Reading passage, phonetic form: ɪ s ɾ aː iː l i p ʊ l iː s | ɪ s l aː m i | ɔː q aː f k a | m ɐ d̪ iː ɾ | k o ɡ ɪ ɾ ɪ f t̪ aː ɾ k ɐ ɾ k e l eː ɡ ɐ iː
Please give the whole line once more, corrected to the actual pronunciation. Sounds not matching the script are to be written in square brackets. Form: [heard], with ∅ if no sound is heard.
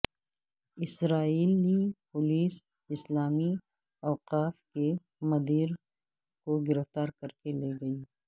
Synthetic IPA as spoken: ɪ s ɾ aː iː l i p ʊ l iː s | ɪ s l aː m i | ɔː q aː f k [e] | m ɐ d̪ iː ɾ | k o ɡ ɪ ɾ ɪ f t̪ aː ɾ k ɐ ɾ k e l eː ɡ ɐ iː